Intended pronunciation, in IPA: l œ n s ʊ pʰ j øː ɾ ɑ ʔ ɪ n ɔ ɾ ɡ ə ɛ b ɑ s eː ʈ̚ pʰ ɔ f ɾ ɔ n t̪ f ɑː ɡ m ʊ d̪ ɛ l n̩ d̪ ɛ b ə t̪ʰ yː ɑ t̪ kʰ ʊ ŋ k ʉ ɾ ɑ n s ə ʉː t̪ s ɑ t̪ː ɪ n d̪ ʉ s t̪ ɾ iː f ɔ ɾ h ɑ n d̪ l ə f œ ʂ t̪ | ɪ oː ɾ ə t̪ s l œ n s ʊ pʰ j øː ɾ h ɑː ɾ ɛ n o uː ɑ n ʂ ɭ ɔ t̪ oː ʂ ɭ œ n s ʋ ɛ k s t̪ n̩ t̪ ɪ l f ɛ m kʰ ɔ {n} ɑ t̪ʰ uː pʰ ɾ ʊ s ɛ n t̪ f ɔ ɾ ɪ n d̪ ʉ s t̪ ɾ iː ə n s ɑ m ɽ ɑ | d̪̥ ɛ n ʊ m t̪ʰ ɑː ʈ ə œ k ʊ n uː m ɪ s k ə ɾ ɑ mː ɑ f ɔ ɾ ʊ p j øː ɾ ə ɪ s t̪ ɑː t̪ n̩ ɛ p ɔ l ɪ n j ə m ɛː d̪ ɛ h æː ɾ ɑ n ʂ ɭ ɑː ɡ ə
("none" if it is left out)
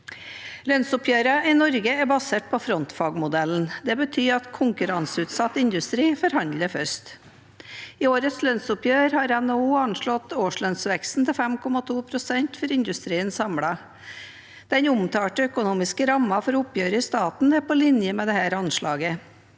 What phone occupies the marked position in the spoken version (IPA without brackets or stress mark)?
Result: m